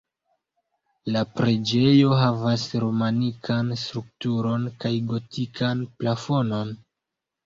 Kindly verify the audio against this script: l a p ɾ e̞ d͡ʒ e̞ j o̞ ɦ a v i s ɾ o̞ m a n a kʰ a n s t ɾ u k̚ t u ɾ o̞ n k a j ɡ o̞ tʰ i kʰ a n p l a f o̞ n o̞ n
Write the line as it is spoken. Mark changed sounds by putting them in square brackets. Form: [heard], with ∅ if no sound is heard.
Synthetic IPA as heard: l a p ɾ e̞ d͡ʒ e̞ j o̞ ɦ a v [a] s ɾ o̞ m a n [i] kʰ a n s t ɾ u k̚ t u ɾ o̞ n k a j ɡ o̞ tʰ i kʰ a n p l a f o̞ n o̞ n